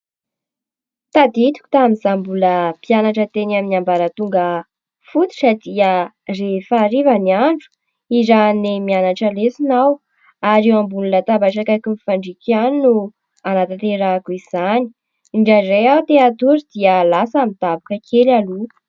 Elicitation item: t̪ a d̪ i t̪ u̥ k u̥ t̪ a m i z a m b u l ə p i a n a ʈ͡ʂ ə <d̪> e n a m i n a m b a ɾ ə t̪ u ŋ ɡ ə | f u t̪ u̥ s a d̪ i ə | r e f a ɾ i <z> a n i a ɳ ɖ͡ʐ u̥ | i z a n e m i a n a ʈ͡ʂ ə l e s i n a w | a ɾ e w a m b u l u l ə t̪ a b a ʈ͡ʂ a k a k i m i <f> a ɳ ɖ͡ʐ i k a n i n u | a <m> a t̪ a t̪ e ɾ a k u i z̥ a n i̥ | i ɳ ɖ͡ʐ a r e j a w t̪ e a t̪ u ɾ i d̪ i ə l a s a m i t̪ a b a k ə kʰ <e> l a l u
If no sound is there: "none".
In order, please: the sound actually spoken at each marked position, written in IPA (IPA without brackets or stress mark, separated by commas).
t̪, v, f, n, e